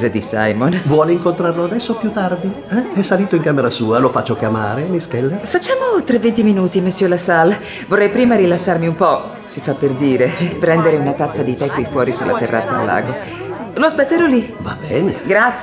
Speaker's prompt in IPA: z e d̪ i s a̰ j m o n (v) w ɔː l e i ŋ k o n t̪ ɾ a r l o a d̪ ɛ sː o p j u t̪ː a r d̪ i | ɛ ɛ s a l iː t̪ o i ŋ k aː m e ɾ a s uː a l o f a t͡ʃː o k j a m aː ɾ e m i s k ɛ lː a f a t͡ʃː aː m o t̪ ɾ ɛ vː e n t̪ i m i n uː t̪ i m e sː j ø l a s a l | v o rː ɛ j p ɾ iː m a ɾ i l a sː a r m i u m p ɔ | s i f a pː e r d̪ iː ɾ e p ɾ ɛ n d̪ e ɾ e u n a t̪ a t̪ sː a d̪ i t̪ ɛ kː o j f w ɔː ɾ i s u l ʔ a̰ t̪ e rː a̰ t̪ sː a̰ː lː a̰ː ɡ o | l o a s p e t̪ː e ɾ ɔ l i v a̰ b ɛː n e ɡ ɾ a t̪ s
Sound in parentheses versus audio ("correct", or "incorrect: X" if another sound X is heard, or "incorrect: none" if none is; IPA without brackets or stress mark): correct